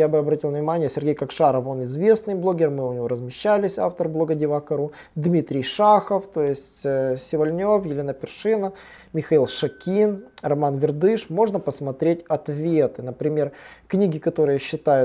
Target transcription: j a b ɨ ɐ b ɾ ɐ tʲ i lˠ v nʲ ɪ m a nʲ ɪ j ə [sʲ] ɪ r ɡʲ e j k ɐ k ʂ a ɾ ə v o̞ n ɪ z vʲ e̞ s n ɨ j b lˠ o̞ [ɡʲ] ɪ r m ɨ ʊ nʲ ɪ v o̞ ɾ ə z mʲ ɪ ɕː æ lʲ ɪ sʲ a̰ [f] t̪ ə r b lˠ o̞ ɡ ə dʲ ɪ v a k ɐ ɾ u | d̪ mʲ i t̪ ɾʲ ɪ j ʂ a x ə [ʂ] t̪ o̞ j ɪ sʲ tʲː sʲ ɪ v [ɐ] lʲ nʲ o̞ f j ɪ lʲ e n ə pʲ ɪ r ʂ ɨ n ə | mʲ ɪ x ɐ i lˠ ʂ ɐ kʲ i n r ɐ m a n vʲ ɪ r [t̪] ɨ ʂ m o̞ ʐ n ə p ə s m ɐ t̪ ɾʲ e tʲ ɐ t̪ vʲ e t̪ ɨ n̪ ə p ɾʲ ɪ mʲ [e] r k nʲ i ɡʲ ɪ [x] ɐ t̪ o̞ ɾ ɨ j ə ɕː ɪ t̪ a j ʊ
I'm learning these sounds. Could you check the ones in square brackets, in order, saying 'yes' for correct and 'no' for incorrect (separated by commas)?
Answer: yes, yes, yes, no, yes, no, yes, no